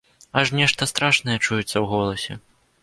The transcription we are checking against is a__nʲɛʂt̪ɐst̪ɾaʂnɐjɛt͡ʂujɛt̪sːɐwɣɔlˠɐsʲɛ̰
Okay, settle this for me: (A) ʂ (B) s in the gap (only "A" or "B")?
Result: A